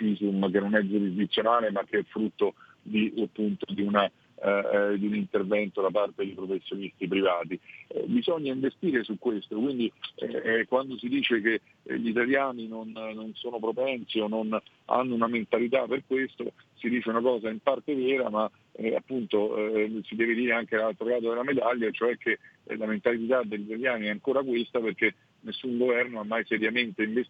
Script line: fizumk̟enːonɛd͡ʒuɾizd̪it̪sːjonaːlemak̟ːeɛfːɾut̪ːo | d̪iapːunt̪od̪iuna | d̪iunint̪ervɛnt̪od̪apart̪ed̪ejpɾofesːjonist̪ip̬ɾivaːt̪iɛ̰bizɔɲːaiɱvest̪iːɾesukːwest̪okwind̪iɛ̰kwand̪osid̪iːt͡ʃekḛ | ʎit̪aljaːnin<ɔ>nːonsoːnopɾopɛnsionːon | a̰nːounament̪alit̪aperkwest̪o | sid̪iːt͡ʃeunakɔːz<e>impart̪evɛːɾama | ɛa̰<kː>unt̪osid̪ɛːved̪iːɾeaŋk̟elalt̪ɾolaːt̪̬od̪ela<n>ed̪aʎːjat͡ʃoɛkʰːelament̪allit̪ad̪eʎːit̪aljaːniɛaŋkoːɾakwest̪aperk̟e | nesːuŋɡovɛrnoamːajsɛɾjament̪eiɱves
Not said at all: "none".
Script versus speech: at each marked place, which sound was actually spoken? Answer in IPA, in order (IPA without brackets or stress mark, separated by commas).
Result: o, a, pː, m